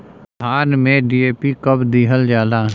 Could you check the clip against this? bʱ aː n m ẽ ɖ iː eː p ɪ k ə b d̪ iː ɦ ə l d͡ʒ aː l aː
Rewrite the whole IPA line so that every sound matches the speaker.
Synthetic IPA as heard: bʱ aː n m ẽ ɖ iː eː p i k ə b d̪ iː ɦ ə l d͡ʒ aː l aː